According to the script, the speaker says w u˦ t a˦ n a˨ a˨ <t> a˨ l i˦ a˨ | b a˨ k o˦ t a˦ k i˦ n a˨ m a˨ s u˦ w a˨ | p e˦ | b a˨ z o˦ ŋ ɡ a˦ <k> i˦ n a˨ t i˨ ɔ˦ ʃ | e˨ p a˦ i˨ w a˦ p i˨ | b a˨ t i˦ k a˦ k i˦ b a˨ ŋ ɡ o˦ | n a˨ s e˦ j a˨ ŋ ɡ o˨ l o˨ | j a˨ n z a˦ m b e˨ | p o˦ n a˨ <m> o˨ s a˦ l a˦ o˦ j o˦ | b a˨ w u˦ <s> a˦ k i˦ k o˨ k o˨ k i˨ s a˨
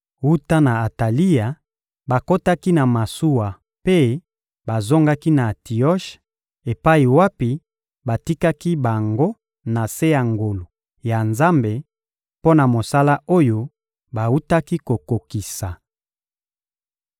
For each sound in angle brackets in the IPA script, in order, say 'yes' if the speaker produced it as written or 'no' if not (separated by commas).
yes, yes, yes, no